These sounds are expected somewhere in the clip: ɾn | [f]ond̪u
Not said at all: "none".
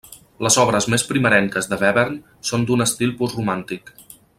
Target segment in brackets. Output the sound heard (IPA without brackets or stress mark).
s